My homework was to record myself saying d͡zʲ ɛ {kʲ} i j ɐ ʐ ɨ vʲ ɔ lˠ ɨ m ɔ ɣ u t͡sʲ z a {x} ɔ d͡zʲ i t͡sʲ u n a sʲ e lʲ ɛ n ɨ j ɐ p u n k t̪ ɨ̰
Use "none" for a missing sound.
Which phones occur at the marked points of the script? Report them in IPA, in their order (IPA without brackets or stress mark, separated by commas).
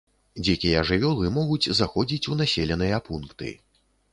kʲ, x